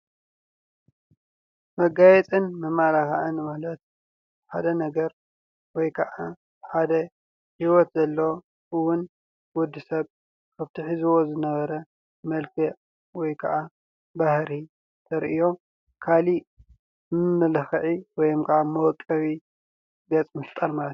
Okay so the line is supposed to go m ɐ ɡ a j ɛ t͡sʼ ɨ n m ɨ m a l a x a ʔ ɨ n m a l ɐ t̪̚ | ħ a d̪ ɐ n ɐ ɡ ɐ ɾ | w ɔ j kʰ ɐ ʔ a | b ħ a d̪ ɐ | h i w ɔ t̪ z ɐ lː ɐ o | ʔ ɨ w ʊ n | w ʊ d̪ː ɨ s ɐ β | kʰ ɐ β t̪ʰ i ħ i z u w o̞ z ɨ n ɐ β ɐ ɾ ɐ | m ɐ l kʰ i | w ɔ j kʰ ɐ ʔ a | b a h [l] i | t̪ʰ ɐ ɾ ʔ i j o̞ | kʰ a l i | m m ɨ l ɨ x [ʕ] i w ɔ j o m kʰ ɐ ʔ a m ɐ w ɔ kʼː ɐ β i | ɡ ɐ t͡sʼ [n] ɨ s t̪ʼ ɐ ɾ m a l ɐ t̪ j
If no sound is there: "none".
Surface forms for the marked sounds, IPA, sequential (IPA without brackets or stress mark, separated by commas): ɾ, ʕ, m